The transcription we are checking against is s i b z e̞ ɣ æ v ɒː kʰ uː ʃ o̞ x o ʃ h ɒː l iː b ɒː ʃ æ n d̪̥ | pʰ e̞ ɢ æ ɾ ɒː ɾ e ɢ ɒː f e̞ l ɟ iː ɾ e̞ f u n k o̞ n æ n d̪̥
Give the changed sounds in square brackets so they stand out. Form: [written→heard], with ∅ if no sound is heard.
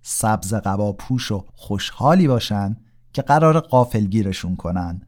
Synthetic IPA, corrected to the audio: s [i→æ] b z e̞ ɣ æ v ɒː [kʰ→pʰ] uː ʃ o̞ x o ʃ h ɒː l iː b ɒː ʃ æ n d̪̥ | [pʰ→cʰ] e̞ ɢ æ ɾ ɒː ɾ e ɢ ɒː f e̞ l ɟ iː ɾ e̞ [f→ʃ] u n [k→kʰ] o̞ n æ n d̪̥